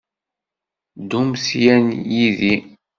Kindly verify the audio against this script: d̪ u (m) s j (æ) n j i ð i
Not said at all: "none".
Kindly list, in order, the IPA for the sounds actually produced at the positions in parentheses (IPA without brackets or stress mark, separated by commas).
m, æ